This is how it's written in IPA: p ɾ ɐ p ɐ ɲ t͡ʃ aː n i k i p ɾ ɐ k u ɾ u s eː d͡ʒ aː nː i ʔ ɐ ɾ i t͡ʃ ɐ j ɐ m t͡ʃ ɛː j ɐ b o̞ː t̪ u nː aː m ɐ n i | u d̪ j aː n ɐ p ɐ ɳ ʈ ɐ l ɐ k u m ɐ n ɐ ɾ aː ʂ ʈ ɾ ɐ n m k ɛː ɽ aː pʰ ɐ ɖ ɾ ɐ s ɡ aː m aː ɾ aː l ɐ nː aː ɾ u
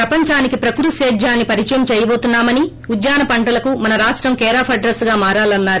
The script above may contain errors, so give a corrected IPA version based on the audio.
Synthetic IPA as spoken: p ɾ ɐ p ɐ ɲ t͡ʃ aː n i k i p ɾ ɐ k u ɾ u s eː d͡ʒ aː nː i p ɐ ɾ i t͡ʃ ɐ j ɐ m t͡ʃ ɛː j ɐ b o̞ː t̪ u nː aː m ɐ n i | u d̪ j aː n ɐ p ɐ ɳ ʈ ɐ l ɐ k u m ɐ n ɐ ɾ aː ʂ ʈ ɾ ɐ m k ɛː ɾ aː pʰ ɐ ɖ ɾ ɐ s ɡ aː m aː ɾ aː l ɐ nː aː ɾ u